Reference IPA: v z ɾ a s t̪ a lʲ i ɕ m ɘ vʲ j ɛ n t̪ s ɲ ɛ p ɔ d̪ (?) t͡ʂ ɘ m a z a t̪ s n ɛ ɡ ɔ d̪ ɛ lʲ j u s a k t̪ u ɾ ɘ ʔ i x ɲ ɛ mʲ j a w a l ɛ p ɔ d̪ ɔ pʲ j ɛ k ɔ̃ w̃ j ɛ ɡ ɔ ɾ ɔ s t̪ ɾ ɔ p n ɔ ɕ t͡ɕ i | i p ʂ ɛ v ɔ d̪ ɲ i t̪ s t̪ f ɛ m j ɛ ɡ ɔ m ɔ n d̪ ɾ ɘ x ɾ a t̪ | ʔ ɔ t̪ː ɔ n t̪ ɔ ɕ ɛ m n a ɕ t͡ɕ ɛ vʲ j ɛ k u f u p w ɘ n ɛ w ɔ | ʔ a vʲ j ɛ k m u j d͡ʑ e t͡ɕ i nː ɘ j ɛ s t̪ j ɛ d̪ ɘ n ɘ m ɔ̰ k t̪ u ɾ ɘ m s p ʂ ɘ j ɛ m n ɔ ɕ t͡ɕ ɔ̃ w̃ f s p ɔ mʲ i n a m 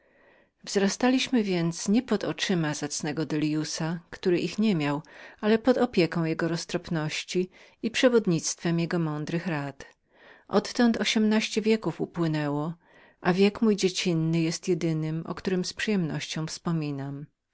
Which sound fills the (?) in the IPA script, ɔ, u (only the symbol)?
ɔ